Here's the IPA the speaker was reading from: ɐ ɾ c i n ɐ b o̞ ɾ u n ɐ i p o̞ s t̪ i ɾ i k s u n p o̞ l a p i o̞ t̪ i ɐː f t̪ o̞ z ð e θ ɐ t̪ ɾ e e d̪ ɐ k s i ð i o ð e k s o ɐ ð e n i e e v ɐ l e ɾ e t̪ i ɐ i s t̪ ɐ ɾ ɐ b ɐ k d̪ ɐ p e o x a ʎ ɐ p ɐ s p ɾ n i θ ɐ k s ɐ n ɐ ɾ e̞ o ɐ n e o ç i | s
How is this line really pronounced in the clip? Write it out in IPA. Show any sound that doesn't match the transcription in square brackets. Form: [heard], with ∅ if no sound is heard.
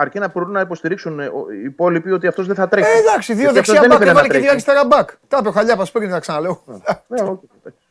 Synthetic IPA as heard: ɐ ɾ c i n ɐ b o̞ ɾ u n ɐ i p o̞ s t̪ i ɾ i k s u n p o̞ l [i] p i o̞ t̪ i [ɐ] f t̪ o̞ z ð e θ ɐ t̪ ɾ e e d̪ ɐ k s i ð i o ð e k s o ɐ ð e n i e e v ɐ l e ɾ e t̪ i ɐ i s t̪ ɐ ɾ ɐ b ɐ k [t̪] ɐ p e o x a ʎ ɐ p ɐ s p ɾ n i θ ɐ k s ɐ n ɐ [l] e̞ o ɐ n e o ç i | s